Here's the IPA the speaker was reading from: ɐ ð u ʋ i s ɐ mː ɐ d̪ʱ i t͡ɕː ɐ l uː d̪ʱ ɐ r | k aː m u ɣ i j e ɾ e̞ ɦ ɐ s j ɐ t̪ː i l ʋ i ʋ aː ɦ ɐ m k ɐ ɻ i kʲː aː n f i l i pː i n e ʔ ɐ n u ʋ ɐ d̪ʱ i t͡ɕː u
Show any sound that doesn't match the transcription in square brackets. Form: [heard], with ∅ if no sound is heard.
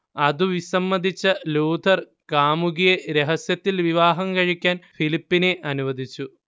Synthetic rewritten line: ɐ ð u ʋ i s ɐ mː ɐ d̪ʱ i t͡ɕː ɐ l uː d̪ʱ ɐ r | k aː m u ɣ i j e ɾ e̞ ɦ ɐ s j ɐ t̪ː i l ʋ i ʋ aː ɦ ɐ m k ɐ ɻ i kʲː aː n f i l i pː i n e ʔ ɐ n u ʋ ɐ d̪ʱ i t͡ɕː u